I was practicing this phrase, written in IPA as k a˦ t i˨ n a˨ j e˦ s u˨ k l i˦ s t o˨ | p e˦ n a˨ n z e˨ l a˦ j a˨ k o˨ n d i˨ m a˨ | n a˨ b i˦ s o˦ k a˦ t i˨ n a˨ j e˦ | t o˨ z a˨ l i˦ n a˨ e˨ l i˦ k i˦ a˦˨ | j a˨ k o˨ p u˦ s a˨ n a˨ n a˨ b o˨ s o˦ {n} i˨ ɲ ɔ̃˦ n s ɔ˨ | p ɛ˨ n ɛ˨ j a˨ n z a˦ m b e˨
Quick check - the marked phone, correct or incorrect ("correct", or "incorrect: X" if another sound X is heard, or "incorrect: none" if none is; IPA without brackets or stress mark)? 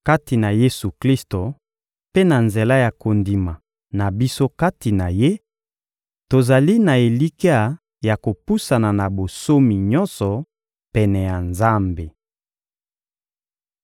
incorrect: m